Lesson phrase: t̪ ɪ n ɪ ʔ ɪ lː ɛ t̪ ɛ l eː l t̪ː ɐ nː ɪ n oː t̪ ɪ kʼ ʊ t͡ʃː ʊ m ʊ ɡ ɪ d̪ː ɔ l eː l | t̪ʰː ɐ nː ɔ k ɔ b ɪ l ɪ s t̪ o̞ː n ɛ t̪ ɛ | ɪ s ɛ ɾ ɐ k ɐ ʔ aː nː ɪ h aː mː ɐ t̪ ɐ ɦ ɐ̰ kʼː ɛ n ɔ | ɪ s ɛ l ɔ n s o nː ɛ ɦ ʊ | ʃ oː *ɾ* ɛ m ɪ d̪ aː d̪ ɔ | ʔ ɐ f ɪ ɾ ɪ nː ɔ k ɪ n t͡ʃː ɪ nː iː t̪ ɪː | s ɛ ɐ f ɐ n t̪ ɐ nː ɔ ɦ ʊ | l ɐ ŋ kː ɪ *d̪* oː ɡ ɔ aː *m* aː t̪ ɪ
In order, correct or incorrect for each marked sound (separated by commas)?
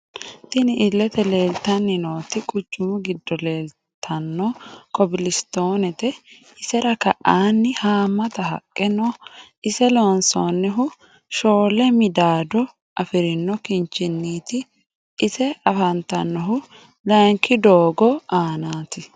incorrect, correct, incorrect